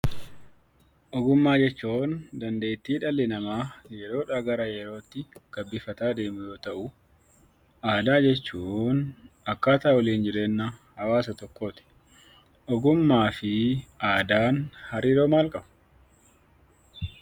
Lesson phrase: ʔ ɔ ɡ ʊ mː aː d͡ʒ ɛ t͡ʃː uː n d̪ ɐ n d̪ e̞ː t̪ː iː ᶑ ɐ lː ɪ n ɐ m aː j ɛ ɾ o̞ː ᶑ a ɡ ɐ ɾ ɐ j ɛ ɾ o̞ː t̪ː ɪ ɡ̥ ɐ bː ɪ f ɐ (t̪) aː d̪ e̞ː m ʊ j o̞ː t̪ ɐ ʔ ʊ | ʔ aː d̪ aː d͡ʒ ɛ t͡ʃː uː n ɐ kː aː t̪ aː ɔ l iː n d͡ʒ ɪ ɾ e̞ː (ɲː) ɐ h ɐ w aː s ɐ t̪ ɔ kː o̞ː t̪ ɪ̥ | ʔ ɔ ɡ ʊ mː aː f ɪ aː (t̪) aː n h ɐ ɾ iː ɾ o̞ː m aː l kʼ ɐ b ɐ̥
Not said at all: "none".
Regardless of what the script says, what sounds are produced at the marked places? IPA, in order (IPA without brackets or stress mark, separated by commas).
t̪, nː, d̪